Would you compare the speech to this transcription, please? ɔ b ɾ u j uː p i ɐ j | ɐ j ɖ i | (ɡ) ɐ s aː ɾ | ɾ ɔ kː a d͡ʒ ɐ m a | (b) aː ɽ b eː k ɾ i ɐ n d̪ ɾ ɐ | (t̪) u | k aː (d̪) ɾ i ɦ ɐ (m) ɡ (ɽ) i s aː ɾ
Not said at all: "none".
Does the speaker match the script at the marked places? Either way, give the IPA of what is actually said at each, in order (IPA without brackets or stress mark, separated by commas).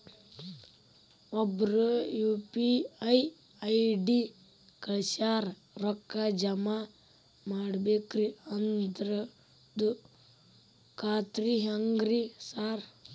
k, m, d̪, t̪, ŋ, ɾ